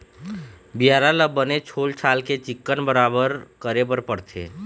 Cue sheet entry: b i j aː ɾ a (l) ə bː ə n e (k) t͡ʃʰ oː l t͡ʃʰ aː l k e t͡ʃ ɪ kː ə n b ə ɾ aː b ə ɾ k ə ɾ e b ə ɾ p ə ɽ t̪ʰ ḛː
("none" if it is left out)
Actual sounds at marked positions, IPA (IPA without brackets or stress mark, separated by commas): l, none